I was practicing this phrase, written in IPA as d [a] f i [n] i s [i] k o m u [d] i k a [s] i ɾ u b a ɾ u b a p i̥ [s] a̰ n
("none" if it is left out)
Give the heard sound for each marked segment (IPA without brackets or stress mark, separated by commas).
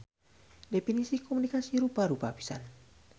e, n, i, n, s, s